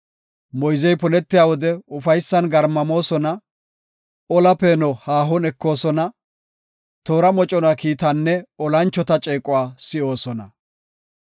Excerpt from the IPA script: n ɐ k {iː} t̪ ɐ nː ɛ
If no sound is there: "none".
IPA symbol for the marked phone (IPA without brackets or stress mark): iː